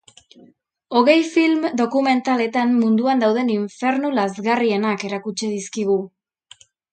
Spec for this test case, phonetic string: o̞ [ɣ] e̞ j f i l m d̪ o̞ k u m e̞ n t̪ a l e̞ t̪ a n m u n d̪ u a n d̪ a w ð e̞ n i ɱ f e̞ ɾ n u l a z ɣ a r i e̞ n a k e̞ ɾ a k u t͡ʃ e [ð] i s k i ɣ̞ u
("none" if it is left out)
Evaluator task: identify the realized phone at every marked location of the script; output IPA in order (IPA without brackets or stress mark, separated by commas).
ɣ, ð